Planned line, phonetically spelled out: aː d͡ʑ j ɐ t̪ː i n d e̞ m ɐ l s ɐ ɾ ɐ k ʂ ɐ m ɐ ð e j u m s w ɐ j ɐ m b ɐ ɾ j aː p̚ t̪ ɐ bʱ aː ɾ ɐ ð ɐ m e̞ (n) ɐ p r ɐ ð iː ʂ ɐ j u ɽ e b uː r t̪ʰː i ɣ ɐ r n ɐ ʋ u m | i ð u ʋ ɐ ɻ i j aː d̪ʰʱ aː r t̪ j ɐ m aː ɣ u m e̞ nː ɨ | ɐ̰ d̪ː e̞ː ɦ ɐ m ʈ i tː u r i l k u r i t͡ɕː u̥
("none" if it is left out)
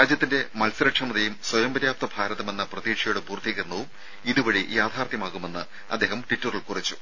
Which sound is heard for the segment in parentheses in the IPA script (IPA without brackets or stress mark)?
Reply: nː